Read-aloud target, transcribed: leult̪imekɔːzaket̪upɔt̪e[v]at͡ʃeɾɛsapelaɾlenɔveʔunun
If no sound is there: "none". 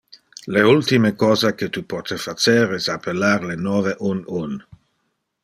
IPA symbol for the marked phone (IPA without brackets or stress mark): f